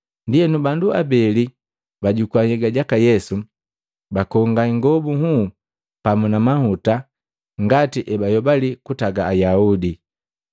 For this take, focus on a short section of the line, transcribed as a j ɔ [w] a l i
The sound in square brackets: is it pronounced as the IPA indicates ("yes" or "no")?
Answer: no